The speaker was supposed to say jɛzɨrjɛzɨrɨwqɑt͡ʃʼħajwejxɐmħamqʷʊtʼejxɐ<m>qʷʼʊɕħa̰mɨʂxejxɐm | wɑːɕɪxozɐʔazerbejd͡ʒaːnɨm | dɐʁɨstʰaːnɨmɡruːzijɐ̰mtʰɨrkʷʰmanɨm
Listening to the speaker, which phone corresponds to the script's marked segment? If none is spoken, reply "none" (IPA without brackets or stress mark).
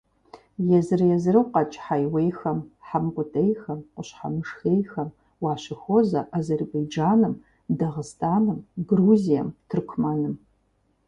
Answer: m